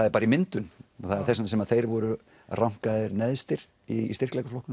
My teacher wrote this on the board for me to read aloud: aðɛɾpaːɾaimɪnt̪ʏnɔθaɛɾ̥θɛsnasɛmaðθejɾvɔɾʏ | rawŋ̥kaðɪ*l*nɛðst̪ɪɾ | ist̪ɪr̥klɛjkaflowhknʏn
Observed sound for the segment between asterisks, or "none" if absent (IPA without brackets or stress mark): ɾ